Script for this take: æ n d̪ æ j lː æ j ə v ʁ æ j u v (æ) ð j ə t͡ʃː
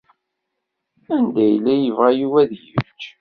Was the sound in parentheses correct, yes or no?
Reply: yes